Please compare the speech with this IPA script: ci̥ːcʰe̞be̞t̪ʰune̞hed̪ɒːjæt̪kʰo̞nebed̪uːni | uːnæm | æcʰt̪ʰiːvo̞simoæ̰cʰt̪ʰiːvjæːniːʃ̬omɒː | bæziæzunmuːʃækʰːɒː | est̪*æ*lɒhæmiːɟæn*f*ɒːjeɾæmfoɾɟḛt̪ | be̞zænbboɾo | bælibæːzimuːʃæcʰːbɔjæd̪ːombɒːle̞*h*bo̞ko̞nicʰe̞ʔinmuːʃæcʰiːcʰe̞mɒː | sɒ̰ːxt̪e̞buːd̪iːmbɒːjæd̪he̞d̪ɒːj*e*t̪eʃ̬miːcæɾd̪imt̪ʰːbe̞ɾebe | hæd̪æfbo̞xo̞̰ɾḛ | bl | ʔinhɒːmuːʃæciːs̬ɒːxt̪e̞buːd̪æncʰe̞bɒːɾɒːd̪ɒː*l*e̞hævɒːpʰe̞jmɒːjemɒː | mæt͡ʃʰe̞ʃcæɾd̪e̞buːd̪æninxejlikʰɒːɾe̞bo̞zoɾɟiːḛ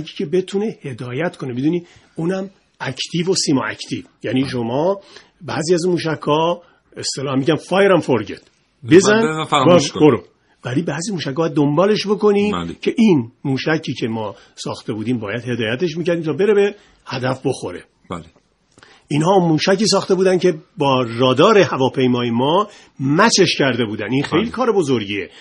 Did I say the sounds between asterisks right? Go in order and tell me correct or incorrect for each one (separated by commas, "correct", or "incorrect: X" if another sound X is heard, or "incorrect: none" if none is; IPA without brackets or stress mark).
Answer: incorrect: e, correct, incorrect: ʃ, incorrect: æ, incorrect: ɾ